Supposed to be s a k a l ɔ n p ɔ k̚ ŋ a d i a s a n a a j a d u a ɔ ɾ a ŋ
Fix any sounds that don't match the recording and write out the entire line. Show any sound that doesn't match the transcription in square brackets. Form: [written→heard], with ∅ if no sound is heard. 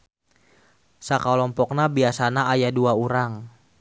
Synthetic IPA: s a k a l ɔ [n→m] p ɔ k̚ [ŋ→n] a [d→b] i a s a n a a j a d u a [ɔ→u] ɾ a ŋ